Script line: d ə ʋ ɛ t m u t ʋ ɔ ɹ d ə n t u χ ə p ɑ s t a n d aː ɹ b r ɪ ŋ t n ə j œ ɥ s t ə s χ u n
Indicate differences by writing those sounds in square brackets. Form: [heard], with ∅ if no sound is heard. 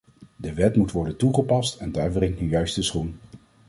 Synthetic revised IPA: d ə ʋ ɛ t m u t ʋ ɔ ɹ d ə n t u χ ə p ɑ s t [ɛ] n d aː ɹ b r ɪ ŋ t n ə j œ ɥ s t ə s χ u n

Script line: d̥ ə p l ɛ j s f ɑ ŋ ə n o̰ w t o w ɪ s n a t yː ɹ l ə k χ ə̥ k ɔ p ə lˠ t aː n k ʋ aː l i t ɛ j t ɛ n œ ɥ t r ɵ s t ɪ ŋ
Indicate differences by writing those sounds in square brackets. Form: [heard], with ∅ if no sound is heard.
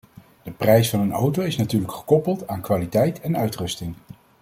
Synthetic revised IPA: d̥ ə p [r] ɛ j s f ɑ [n] ə n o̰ w t o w ɪ s n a t yː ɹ l ə k χ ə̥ k ɔ p ə lˠ t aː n k ʋ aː l i t ɛ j t ɛ n œ ɥ t r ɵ s t ɪ ŋ

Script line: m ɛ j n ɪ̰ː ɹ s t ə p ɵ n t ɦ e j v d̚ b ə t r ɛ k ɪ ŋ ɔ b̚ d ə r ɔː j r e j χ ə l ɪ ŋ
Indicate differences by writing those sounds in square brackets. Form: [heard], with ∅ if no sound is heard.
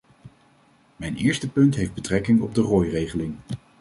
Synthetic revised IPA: m ɛ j n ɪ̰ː ɹ s t ə p ɵ n t ɦ e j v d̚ b ə t r ɛ k ɪ ŋ ɔ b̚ d ə r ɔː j r e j χ ə l ɪ ŋ

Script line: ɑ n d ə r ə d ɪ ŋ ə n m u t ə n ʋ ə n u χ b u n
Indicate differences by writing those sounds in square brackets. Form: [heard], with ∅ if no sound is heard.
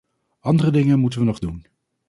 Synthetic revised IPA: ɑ n d ə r ə d ɪ ŋ ə n m u t ə n ʋ ə n [ɔ] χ [d] u n

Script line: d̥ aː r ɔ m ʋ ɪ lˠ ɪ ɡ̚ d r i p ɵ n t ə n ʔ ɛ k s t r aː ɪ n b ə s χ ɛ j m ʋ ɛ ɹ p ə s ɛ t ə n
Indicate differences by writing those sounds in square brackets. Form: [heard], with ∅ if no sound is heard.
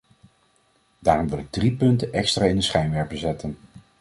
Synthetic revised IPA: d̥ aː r ɔ m ʋ ɪ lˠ ɪ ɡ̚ d r i p ɵ n t ə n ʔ ɛ k s t r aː ɪ n [d] ə s χ ɛ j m ʋ ɛ ɹ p ə [z] ɛ t ə n

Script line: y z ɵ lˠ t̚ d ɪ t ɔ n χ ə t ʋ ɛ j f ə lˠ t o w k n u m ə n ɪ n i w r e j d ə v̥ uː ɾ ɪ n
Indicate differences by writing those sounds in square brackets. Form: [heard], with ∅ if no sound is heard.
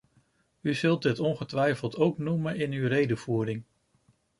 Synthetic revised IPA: y z ɵ lˠ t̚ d ɪ t ɔ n χ ə t ʋ ɛ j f ə lˠ t o w k n u m ə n ɪ n [y] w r e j d ə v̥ uː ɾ ɪ [ŋ]

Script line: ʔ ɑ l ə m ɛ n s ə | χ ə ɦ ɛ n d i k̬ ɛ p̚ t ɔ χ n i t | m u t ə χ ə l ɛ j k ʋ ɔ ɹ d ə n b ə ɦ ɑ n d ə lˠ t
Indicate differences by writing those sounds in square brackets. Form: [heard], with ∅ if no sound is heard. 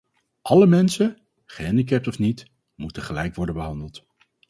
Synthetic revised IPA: ʔ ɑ l ə m ɛ n s ə | χ ə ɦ ɛ n d i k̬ ɛ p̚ t ɔ [f] n i t | m u t ə χ ə l ɛ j k ʋ ɔ ɹ d ə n b ə ɦ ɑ n d ə lˠ t

